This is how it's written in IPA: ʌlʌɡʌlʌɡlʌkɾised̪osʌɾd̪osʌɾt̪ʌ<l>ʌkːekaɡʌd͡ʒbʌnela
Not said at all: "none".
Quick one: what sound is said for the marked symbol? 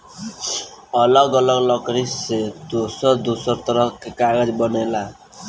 ɾ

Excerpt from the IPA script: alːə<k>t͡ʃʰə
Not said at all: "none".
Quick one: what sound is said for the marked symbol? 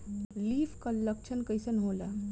k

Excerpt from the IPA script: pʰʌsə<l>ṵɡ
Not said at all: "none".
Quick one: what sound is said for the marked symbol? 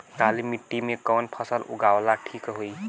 l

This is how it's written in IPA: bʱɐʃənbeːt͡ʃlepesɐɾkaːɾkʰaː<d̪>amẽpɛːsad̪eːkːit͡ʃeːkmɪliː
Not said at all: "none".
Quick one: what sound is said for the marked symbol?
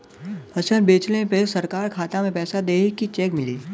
t̪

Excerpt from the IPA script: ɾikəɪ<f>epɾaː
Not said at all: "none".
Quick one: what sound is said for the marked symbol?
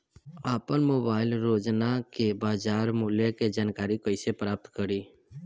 s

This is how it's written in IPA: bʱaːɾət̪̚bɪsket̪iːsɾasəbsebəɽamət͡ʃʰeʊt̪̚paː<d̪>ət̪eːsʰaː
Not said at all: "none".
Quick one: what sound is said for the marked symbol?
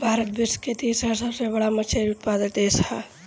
d̪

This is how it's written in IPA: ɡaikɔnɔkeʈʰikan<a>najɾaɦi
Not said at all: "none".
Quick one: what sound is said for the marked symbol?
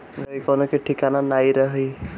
a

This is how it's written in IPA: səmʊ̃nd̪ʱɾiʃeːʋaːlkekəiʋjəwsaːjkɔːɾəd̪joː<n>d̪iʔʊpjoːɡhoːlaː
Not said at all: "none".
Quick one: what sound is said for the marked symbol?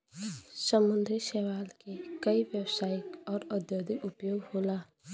none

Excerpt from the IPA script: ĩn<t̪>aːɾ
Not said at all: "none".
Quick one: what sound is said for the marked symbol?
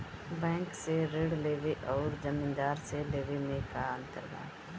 d̪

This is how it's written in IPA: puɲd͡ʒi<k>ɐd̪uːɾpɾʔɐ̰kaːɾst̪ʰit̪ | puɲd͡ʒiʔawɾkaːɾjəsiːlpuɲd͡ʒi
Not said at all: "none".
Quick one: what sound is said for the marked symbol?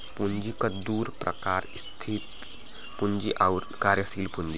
k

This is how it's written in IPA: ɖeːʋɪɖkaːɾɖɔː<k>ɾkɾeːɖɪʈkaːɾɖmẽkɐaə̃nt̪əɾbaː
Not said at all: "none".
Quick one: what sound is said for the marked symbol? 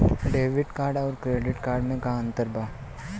none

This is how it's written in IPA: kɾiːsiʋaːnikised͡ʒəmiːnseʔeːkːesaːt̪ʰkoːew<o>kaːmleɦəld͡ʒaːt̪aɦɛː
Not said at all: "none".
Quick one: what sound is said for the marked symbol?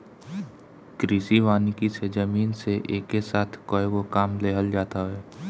o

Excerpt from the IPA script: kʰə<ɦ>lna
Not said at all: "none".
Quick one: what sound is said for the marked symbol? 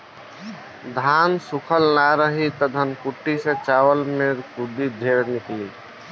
none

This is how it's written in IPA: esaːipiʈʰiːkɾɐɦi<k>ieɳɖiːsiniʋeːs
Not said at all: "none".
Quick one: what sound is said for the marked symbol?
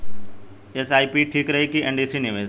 k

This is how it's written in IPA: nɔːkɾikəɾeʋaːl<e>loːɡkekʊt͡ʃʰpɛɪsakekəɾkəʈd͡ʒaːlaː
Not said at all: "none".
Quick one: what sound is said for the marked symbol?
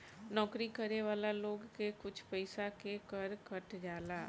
a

